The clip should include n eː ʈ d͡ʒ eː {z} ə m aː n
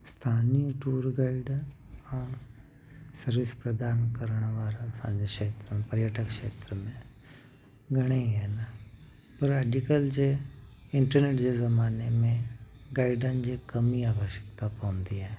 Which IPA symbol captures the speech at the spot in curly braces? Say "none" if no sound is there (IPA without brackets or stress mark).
z